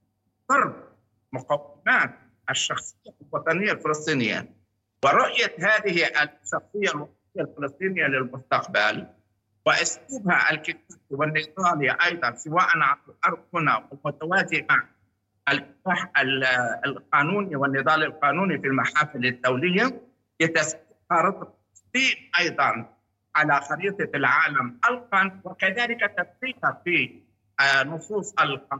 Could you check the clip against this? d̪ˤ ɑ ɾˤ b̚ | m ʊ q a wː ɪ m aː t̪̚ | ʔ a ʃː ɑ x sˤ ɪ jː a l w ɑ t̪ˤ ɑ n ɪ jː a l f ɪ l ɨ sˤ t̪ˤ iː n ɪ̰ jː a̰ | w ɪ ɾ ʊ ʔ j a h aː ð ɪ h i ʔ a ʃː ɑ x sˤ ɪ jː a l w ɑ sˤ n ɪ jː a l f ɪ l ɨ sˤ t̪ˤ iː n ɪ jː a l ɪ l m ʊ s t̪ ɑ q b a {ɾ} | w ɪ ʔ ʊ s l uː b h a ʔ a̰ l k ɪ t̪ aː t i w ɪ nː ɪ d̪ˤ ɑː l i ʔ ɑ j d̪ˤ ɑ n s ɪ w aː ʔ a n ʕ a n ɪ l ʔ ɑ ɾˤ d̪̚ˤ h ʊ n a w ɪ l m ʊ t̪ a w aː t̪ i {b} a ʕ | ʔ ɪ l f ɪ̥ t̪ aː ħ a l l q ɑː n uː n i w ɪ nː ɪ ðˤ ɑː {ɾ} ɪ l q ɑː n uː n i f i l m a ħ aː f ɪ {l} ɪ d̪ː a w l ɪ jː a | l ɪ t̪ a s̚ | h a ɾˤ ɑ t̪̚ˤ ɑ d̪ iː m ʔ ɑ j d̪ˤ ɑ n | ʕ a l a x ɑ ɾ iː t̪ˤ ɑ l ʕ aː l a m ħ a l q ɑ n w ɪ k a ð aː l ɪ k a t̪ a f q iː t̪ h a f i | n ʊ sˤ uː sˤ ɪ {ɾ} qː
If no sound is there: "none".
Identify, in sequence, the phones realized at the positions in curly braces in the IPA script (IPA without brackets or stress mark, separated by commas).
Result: l, m, l, l, l